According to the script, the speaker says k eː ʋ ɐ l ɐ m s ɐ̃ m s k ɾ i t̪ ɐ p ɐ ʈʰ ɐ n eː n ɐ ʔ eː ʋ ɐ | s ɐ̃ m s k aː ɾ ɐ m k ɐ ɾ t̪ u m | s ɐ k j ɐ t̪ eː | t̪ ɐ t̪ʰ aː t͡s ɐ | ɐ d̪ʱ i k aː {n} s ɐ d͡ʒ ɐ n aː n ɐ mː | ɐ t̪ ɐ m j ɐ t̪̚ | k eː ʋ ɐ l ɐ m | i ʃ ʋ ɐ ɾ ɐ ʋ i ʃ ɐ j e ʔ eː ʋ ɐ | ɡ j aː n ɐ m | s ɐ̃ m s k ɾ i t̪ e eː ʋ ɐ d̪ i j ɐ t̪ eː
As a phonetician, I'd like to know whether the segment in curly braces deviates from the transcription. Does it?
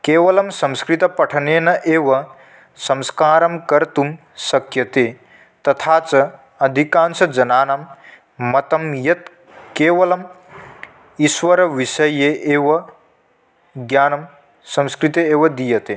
no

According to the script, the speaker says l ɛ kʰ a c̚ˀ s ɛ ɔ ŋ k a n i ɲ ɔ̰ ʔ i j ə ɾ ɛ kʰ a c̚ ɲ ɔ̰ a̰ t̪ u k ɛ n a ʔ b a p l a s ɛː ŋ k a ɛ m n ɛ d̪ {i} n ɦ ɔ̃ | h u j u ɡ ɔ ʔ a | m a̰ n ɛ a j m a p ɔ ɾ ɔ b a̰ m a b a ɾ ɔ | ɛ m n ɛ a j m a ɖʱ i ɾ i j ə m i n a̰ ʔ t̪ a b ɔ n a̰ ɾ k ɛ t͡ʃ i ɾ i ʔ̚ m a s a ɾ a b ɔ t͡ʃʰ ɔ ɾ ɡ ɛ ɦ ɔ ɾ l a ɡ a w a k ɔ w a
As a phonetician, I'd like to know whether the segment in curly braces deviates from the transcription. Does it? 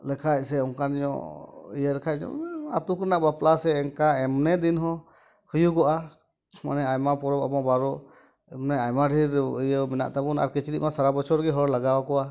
no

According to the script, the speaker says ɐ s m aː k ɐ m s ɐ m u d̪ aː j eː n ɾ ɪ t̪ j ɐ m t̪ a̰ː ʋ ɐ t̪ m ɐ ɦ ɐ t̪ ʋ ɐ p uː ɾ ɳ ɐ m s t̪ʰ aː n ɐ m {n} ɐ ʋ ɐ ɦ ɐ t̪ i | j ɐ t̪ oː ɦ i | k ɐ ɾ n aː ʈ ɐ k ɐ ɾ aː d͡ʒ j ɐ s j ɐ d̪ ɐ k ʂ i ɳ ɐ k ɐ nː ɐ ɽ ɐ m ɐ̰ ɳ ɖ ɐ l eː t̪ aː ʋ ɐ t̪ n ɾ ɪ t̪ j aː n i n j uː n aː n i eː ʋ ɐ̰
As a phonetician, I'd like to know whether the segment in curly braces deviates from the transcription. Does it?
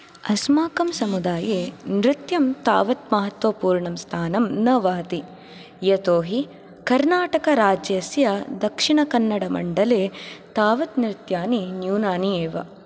no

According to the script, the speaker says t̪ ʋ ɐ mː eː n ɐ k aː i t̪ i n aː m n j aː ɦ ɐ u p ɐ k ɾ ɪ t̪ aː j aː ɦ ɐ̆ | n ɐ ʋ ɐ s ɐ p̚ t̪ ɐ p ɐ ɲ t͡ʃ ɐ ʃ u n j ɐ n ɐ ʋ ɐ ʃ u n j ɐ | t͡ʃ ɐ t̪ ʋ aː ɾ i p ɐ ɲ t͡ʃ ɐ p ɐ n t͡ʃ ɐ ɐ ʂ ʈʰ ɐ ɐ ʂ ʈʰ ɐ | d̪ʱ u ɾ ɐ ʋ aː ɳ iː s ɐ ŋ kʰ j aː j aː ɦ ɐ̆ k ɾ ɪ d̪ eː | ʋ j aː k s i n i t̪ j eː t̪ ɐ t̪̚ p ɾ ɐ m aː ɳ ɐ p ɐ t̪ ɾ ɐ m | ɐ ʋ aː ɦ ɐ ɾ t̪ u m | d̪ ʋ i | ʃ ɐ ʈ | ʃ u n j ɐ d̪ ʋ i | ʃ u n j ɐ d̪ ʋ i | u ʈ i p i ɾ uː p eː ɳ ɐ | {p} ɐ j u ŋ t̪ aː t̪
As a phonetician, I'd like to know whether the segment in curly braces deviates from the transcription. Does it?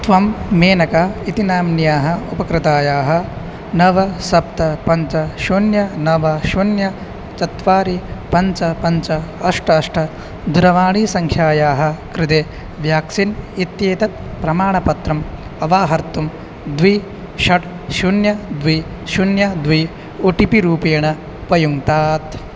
no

